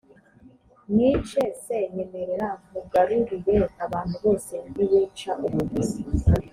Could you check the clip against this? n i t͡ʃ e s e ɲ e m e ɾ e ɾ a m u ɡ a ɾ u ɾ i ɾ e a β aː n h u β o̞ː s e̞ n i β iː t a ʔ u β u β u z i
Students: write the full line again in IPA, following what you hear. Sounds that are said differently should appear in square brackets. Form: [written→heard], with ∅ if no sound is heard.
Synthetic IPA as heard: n i t͡ʃ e s e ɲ e m e ɾ e ɾ a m u ɡ a ɾ u ɾ i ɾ e a β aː n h u β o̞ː s e̞ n i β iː [t→t͡ʃ] a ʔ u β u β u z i